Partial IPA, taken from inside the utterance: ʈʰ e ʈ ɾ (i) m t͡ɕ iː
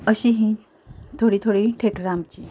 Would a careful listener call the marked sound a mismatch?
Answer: yes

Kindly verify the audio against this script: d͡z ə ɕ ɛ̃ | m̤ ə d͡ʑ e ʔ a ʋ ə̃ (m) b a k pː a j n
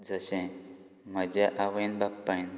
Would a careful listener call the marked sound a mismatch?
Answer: yes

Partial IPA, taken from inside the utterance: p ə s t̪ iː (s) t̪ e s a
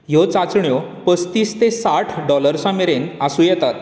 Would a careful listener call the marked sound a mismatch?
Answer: no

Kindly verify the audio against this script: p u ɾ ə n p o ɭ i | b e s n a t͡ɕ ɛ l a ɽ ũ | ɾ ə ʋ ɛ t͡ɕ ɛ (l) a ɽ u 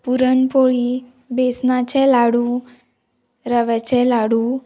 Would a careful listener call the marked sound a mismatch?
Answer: no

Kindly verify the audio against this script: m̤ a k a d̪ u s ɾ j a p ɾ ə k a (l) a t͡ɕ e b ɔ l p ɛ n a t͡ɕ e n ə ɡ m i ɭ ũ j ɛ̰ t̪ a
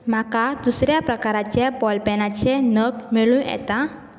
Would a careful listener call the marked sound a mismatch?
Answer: yes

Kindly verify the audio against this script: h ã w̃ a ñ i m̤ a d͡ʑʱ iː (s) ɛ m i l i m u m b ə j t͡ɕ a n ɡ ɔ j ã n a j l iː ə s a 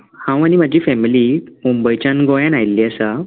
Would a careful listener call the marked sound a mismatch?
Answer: yes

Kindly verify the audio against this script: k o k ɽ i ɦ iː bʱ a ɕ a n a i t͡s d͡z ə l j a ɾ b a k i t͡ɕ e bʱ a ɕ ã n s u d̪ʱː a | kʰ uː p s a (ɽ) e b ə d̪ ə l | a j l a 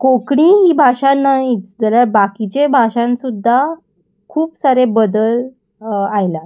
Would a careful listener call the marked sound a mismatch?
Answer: yes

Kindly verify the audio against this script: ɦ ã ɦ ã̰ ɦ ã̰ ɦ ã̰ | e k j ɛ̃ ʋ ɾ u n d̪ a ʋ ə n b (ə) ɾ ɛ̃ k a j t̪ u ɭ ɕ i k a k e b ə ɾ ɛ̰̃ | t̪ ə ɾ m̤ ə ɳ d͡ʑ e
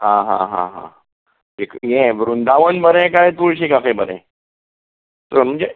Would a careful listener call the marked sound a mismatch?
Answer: no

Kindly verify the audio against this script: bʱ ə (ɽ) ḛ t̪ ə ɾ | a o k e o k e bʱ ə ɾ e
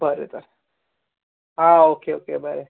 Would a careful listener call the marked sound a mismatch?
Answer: yes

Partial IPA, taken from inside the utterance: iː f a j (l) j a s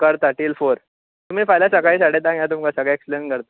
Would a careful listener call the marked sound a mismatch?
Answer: no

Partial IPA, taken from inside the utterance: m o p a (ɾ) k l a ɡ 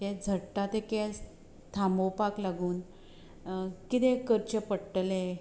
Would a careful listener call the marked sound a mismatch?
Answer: yes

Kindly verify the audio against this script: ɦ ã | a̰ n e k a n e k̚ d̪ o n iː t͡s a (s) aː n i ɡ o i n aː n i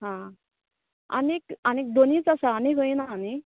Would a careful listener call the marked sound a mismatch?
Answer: no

